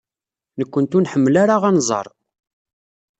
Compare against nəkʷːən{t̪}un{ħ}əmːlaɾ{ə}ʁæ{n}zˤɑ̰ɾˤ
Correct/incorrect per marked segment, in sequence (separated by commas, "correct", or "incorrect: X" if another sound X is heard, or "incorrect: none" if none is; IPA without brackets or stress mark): correct, correct, incorrect: a, correct